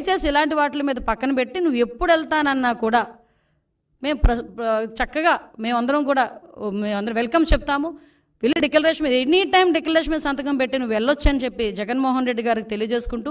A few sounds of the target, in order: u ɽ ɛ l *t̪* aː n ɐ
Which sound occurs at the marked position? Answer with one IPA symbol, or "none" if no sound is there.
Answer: t̪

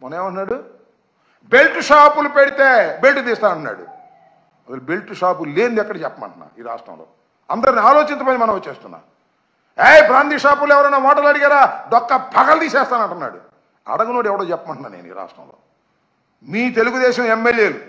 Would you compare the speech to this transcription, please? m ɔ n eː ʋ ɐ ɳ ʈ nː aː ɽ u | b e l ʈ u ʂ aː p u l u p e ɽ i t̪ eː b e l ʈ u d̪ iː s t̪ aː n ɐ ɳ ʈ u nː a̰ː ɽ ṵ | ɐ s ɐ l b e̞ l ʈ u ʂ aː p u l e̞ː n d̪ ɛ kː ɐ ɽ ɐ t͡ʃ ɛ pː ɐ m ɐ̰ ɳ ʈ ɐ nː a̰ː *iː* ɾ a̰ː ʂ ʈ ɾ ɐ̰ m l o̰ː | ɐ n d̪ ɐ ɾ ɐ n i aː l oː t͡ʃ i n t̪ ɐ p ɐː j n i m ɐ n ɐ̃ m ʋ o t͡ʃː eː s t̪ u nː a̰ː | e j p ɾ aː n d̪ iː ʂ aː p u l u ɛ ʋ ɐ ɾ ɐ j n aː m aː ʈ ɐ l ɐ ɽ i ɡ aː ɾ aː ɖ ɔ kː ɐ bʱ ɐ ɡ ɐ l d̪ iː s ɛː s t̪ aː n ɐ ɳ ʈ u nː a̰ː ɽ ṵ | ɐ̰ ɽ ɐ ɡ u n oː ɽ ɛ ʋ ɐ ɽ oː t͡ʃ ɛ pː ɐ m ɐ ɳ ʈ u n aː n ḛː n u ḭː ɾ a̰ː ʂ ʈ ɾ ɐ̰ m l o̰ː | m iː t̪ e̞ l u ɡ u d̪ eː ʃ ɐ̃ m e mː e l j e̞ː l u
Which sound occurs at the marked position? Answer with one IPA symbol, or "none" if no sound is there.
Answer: iː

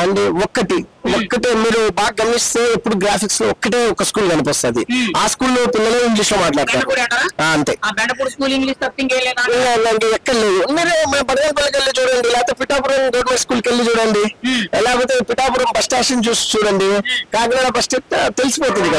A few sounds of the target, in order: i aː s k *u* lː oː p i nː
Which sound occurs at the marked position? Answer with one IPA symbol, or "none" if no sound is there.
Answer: uː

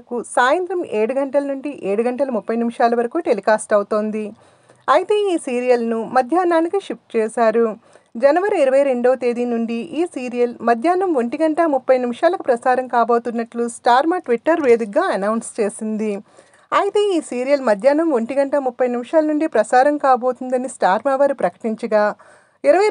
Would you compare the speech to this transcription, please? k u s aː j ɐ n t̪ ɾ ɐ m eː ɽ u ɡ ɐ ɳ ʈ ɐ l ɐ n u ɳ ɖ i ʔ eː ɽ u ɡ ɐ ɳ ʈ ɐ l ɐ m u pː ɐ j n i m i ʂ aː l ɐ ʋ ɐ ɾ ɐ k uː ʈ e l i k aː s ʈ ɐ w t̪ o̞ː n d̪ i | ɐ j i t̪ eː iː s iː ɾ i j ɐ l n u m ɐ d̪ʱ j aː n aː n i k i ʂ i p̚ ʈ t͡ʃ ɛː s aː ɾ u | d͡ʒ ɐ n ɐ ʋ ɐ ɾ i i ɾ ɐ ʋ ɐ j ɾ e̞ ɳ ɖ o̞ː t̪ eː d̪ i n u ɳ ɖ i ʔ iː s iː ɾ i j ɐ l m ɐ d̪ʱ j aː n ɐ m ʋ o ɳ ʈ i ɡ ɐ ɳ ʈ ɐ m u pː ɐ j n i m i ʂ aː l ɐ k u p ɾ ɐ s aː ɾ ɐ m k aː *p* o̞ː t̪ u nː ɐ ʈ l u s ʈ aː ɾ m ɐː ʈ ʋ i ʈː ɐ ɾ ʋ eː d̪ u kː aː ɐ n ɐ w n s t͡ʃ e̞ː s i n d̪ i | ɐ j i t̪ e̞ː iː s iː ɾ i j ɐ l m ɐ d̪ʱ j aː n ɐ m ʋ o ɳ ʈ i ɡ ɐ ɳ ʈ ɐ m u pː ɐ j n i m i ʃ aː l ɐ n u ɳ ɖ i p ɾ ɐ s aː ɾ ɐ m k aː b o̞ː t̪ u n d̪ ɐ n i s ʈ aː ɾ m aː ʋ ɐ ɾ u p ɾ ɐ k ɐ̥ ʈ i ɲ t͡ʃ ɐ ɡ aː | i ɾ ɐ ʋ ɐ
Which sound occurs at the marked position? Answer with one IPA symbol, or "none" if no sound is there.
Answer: b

